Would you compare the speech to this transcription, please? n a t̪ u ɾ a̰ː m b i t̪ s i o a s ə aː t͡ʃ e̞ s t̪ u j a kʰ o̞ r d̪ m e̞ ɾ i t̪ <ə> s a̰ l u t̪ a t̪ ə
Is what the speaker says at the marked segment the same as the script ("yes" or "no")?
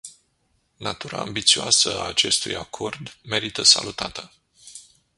yes